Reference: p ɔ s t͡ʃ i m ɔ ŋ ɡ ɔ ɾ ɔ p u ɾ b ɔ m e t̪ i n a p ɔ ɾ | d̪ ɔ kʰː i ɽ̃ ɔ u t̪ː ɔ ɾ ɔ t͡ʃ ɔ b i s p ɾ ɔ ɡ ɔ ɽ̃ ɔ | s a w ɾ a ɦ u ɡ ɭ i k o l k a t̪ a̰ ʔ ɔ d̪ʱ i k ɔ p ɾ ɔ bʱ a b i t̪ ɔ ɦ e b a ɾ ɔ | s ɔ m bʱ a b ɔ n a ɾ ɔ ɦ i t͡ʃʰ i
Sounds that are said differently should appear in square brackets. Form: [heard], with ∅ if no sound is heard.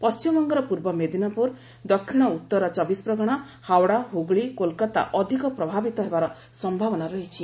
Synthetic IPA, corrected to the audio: p ɔ s t͡ʃ i m ɔ ŋ ɡ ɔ ɾ ɔ p u ɾ b ɔ m e [d̪] i n a p [u] ɾ | d̪ ɔ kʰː i ɽ̃ ɔ u t̪ː ɔ ɾ ɔ t͡ʃ ɔ b i s p ɾ ɔ ɡ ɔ ɽ̃ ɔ | [h] a w [ɽ] a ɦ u ɡ ɭ i k o l k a t̪ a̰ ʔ ɔ d̪ʱ i k ɔ p ɾ ɔ bʱ a b i t̪ ɔ ɦ e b a ɾ ɔ | s ɔ m bʱ a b ɔ n a ɾ ɔ ɦ i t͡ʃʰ i